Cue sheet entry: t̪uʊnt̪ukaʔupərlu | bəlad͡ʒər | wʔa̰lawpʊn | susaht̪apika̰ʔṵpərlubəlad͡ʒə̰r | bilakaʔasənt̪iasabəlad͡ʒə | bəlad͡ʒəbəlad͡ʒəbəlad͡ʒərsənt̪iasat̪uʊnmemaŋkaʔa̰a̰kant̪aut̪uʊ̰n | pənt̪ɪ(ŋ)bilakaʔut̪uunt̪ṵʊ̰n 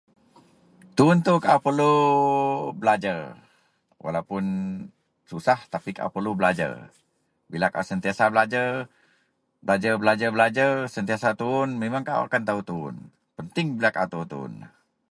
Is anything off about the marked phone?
no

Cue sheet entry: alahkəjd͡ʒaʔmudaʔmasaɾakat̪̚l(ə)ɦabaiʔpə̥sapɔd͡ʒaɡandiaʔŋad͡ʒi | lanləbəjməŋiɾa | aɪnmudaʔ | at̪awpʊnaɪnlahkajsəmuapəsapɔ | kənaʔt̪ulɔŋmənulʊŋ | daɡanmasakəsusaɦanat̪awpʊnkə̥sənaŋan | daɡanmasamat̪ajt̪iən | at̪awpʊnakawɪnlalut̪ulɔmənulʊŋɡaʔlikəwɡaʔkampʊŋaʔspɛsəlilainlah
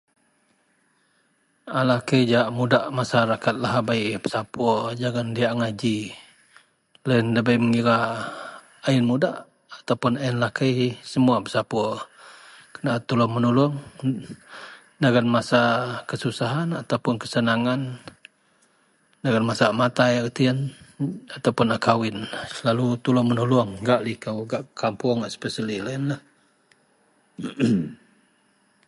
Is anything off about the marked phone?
yes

